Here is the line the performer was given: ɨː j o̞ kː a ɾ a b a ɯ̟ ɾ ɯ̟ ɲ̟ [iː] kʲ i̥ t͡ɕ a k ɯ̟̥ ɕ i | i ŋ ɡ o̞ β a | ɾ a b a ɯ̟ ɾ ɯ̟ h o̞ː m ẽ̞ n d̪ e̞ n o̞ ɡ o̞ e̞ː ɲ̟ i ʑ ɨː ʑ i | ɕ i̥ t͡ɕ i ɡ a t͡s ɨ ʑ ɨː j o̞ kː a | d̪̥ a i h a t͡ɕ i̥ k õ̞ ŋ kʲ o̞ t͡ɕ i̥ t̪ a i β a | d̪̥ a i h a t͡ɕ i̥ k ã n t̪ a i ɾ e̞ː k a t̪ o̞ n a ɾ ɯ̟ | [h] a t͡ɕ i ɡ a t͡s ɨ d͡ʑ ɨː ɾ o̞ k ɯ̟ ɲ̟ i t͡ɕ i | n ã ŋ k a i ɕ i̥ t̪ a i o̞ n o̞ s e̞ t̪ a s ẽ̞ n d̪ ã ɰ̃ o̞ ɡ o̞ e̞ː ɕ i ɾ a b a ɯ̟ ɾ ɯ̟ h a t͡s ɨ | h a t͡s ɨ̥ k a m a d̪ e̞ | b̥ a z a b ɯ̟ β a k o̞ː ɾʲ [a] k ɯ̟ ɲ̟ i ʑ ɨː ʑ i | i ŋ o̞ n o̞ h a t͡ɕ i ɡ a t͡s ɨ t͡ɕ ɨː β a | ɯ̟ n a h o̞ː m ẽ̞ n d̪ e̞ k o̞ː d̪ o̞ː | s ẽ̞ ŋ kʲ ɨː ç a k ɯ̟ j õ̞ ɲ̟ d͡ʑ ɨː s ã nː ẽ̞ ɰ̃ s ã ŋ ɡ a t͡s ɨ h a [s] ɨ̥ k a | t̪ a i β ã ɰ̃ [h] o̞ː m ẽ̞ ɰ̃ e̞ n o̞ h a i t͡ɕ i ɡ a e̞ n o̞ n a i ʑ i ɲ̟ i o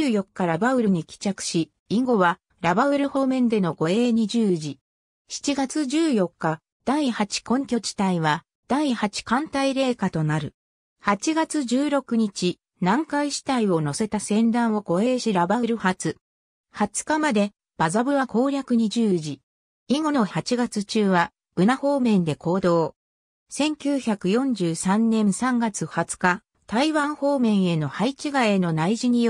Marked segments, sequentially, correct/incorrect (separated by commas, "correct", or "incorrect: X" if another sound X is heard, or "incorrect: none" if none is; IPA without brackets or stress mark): incorrect: i, correct, correct, incorrect: t͡s, correct